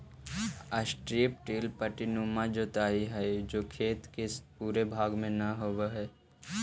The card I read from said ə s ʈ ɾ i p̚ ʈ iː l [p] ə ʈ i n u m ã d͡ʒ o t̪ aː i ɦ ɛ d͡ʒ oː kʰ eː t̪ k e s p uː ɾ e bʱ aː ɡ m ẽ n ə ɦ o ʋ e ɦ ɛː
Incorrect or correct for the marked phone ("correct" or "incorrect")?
correct